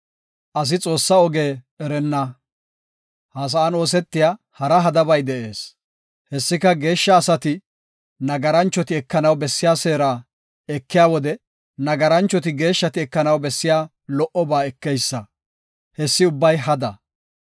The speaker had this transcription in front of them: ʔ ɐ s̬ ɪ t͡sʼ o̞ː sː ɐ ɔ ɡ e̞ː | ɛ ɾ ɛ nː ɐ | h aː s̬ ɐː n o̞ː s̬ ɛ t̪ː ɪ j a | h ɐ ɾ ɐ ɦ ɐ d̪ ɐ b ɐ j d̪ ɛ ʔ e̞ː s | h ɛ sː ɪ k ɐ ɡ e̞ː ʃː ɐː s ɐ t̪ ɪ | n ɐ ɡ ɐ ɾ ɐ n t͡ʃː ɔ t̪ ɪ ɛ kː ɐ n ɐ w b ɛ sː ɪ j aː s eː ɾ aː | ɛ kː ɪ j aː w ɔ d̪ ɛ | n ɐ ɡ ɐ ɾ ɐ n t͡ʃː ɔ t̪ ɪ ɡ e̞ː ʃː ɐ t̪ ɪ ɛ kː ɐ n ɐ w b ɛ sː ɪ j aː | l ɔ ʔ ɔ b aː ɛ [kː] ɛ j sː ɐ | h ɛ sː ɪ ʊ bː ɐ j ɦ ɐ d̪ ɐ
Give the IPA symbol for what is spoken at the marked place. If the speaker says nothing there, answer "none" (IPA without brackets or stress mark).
kː